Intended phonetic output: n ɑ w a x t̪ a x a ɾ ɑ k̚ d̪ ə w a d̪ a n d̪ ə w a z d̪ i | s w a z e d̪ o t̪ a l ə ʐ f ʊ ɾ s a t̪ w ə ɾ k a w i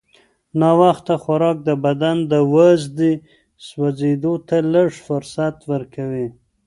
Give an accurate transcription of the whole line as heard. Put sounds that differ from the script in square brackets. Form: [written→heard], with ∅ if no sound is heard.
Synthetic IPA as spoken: n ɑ w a x t̪ a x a ɾ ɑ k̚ d̪ ə [w→b] a d̪ a n d̪ ə w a z d̪ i | s w a z e d̪ o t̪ a l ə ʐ f ʊ ɾ s a t̪ w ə ɾ k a w i

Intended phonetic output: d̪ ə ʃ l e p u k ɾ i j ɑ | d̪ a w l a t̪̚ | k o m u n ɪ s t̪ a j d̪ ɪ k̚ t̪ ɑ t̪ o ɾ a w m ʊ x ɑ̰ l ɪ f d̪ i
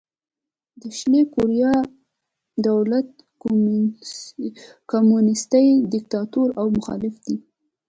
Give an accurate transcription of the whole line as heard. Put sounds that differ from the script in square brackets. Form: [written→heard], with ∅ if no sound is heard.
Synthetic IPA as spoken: d̪ ə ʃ l e [p→k] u [k→∅] ɾ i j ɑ | d̪ a w l a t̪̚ | k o m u n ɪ s t̪ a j d̪ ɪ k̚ t̪ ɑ t̪ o ɾ a w m ʊ x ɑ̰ l ɪ f d̪ i

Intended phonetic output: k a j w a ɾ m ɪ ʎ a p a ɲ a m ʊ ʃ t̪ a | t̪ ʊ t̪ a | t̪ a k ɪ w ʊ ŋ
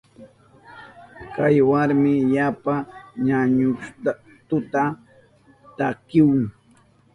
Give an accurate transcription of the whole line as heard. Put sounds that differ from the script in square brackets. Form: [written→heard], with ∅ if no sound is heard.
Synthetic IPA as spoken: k a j w a ɾ m ɪ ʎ a p a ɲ a [m→ɲ] ʊ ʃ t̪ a | t̪ ʊ t̪ a | t̪ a k ɪ w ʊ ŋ

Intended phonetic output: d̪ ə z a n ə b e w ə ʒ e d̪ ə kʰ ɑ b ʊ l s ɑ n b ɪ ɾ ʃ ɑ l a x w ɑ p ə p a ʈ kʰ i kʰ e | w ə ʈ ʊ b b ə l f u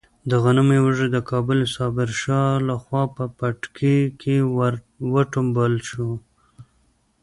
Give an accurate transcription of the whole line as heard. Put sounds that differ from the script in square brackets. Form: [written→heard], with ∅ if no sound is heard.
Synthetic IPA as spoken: d̪ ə [z→ɣ] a n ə [b→m] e w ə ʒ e d̪ ə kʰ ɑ b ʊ l s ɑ [n→∅] b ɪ ɾ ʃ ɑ l a x w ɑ p ə p a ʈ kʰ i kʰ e | w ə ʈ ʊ [b→m] b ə l [f→ʃ] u

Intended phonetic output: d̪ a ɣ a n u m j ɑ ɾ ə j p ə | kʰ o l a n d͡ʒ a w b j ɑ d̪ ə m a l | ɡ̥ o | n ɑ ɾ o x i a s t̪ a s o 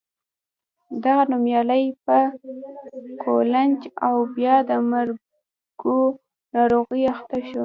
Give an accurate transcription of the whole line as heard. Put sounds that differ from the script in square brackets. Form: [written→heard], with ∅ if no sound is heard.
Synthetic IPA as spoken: d̪ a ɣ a n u m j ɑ [ɾ→l] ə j p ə | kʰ o l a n d͡ʒ a w b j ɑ d̪ ə m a [l→ɾ] | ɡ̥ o | n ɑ ɾ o [x→ɣ] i a [s→x] t̪ a [s→ʃ] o

